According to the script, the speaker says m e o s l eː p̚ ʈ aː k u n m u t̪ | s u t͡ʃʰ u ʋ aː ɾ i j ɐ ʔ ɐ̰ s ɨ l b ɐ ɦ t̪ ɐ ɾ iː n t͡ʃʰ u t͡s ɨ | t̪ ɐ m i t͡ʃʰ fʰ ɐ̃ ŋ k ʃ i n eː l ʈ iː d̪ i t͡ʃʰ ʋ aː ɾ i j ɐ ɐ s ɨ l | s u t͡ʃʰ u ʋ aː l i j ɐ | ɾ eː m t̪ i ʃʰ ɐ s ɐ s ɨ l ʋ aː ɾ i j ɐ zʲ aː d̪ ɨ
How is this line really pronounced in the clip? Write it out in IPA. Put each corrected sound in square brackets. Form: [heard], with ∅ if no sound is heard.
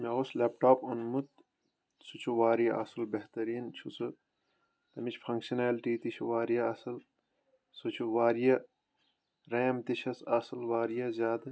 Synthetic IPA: m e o s l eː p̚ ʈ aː [p] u n m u t̪ | s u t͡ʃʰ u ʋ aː ɾ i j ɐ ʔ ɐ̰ s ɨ l b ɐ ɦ t̪ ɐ ɾ iː n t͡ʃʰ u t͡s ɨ | t̪ ɐ m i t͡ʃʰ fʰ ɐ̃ ŋ k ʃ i n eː l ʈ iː [t̪] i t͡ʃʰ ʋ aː ɾ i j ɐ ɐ s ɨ l | s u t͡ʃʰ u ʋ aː [ɾ] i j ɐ | ɾ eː m t̪ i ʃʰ ɐ s ɐ s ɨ l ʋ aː ɾ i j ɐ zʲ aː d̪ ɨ